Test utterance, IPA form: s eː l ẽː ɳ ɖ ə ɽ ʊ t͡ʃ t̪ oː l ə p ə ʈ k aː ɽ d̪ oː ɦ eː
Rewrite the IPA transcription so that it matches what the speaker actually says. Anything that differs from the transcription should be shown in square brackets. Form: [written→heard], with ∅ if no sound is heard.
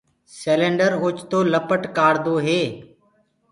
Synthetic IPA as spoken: s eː l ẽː ɳ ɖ ə [ɽ→ɾ] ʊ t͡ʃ t̪ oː l ə p ə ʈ k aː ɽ d̪ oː ɦ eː